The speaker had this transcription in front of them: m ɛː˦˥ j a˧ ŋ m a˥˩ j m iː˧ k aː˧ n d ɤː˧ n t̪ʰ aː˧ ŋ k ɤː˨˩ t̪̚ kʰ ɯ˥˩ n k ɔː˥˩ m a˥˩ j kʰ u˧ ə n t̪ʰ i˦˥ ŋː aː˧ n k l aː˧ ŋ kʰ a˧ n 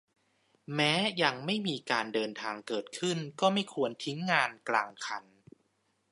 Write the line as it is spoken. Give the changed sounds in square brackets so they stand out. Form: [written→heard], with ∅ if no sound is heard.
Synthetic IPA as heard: m ɛː˦˥ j a˧ ŋ m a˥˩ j m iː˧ k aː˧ n d ɤː˧ n t̪ʰ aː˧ ŋ k ɤː˨˩ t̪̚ kʰ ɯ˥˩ n k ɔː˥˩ m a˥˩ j kʰ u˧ ə n t̪ʰ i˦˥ ŋː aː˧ n k l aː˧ ŋ kʰ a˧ n